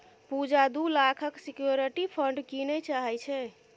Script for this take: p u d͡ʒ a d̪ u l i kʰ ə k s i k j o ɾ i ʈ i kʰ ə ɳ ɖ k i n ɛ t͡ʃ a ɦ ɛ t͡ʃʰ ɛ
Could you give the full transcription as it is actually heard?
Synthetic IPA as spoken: p u d͡ʒ a d̪ u l a kʰ ə k s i k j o ɾ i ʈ i pʰ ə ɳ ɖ k i n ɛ t͡ʃ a ɦ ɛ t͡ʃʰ ɛ